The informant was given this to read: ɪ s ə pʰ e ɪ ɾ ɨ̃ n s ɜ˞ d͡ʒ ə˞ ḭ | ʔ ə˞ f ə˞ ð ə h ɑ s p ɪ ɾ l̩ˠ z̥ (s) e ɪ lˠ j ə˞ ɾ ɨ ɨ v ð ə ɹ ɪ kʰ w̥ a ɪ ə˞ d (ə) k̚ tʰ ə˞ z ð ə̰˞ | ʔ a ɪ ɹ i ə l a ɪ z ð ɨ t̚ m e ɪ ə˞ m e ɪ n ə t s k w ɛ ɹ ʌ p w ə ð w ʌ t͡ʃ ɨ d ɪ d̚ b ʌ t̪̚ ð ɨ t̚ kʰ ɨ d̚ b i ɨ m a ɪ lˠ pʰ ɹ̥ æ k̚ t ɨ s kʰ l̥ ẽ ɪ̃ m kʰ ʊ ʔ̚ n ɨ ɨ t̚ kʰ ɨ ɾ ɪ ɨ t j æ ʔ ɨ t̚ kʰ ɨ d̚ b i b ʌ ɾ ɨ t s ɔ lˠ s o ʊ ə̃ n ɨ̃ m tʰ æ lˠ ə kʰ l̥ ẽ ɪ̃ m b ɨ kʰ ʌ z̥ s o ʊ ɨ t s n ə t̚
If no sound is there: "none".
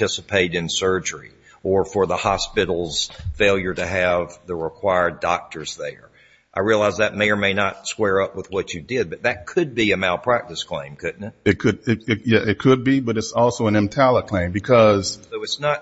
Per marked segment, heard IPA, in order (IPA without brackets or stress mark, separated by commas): f, ɑ